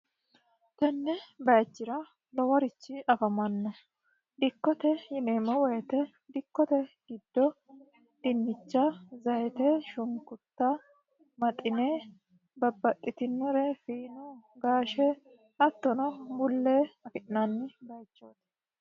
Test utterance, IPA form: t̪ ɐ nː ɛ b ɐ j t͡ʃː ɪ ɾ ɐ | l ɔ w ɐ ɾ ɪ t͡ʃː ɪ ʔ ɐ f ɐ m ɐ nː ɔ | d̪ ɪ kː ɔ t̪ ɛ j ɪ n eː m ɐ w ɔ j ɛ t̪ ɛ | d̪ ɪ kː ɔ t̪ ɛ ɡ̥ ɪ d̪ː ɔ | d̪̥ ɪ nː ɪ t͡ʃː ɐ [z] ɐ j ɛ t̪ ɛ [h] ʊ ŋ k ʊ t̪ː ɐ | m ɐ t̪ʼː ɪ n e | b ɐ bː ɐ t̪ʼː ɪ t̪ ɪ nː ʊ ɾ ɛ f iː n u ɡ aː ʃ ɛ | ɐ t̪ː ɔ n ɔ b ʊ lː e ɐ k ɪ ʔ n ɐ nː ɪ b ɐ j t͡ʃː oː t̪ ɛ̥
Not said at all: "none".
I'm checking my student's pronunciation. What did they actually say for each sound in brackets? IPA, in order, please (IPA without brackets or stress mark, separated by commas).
z, ʃ